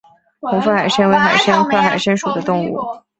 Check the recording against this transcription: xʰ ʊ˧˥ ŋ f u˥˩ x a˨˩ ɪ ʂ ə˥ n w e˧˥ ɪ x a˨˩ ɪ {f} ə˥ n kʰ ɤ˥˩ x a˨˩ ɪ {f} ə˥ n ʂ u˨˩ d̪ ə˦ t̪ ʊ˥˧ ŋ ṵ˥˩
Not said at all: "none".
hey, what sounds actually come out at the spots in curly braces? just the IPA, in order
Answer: ʂ, ʂ

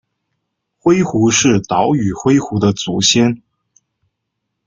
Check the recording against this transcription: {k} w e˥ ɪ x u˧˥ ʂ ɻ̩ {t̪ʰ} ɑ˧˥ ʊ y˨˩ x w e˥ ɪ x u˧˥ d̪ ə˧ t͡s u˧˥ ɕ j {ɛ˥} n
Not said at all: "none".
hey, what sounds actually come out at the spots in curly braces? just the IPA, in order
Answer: x, t̪, ɛ˥

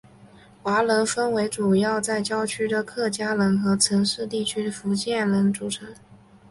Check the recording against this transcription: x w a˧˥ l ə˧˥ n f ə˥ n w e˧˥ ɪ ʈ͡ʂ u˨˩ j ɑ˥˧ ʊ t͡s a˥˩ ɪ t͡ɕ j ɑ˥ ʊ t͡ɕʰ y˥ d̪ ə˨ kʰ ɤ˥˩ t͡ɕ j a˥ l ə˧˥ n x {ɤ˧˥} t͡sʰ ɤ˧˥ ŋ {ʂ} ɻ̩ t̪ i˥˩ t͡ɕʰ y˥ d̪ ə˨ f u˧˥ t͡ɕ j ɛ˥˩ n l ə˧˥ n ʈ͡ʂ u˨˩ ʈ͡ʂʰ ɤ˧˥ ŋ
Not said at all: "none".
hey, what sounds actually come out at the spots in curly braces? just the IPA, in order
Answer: ɤ˧˥, ʂ

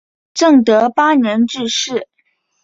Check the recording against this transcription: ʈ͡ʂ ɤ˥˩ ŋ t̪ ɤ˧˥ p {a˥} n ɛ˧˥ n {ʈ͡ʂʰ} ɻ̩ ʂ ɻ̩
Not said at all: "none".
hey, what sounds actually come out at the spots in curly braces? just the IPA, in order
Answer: a˥, ʈ͡ʂ

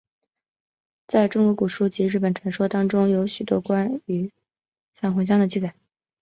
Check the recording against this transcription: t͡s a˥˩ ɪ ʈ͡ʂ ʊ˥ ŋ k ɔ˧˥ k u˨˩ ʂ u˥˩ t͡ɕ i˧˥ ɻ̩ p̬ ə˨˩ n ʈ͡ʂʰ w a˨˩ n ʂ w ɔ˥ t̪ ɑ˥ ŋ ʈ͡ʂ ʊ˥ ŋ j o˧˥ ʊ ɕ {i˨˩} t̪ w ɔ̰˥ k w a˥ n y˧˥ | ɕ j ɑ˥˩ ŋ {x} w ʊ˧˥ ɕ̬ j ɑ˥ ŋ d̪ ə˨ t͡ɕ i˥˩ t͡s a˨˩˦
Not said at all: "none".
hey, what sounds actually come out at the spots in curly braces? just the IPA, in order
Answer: y˨˩, x

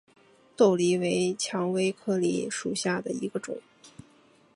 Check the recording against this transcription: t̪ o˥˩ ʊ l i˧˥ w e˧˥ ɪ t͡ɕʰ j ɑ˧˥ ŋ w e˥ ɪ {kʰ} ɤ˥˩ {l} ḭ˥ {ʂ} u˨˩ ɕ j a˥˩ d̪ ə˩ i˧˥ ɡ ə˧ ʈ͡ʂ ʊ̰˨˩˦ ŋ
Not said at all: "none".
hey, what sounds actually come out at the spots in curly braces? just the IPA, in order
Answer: kʰ, l, ʂ

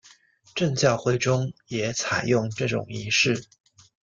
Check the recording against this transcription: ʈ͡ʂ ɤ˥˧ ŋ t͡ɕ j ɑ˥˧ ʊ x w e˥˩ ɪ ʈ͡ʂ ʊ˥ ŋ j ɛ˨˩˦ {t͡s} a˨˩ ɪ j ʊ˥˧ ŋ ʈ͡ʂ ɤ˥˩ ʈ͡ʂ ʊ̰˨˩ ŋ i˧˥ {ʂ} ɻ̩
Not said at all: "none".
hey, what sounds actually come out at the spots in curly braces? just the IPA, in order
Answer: t͡sʰ, ʂ

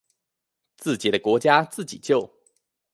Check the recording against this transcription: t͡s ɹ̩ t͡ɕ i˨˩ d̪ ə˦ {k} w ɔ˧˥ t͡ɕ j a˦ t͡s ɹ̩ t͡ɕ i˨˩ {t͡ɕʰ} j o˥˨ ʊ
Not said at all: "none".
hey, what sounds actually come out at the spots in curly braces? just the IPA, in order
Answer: k, t͡ɕ

